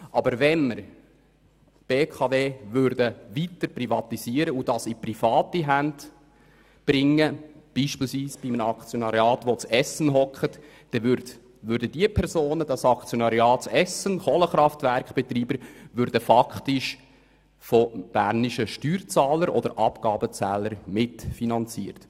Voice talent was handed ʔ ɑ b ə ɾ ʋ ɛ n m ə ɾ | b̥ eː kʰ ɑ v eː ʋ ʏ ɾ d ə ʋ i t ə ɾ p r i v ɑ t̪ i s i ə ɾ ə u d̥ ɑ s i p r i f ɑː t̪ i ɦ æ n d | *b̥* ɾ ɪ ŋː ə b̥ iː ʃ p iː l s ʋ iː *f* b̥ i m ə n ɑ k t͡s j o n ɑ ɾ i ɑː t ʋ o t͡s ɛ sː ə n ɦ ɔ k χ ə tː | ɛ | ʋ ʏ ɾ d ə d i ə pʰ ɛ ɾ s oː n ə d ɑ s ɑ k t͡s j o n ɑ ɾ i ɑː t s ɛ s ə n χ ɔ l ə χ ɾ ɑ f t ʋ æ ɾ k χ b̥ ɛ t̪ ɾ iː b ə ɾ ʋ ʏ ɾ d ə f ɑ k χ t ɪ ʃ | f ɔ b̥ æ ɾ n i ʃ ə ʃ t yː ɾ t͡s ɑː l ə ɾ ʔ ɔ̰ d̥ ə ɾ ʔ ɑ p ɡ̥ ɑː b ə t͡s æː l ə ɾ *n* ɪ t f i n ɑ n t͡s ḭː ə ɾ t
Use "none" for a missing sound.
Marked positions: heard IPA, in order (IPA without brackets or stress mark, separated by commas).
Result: b̥, s, m